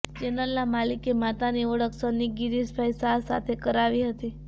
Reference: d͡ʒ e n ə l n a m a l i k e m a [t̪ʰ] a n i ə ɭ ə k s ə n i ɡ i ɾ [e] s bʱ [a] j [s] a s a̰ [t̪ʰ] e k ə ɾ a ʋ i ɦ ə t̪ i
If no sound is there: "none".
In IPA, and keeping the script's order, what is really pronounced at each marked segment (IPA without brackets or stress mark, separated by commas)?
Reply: t̪, i, a, s, t̪ʰ